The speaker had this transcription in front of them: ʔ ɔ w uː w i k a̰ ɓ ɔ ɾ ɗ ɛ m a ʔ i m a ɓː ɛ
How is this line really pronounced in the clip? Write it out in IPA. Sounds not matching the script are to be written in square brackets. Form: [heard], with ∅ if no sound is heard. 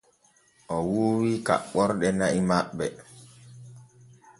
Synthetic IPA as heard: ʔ ɔ w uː w i k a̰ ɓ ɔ ɾ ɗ ɛ [n] a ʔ i m a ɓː ɛ